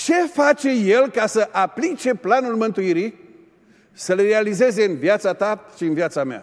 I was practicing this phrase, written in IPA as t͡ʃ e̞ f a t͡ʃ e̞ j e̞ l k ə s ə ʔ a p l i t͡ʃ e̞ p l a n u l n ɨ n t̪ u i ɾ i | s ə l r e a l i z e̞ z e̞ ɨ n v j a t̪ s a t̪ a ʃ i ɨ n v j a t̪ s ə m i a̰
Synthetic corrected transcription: t͡ʃ e̞ f a t͡ʃ e̞ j e̞ l k a s ə ʔ a p l i t͡ʃ e̞ p l a n u l m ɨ n t̪ u i ɾ i | s ə l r e a l i z e̞ z e̞ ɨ n v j a t̪ s a t̪ a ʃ i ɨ n v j a t̪ s a m e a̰